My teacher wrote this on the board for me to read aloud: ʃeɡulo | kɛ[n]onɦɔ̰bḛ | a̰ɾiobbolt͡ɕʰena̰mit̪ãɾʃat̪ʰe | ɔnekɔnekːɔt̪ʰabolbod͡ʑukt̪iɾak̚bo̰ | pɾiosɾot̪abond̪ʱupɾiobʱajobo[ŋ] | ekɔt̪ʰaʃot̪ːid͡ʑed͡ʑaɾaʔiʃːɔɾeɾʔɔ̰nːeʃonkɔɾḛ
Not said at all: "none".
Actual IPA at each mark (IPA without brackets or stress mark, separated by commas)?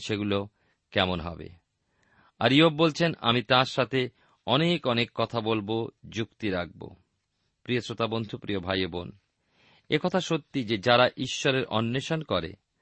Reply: m, n